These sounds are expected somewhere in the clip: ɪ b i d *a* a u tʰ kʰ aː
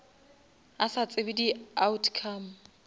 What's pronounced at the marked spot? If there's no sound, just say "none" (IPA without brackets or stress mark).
i